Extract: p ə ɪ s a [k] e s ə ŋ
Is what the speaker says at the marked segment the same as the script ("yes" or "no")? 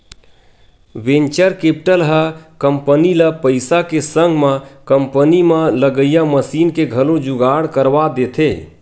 yes